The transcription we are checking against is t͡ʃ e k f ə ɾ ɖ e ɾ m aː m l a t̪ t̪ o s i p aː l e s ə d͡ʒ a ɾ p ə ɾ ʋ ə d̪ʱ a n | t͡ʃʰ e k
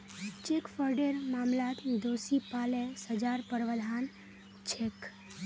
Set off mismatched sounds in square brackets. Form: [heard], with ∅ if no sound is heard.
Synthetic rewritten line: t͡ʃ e k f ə ɾ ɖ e ɾ m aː m l a t̪ [d̪] o s i p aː l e s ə d͡ʒ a ɾ p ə ɾ ʋ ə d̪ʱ a n | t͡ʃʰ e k